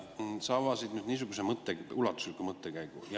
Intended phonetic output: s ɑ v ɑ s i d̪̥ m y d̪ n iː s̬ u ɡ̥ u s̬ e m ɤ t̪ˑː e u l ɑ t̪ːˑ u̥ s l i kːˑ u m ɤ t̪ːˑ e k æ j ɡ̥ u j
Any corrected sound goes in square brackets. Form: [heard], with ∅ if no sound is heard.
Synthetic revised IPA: s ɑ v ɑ s i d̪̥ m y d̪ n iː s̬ u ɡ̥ u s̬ e m ɤ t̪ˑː e u l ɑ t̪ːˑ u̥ s l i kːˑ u m ɤ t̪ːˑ e k æ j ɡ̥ u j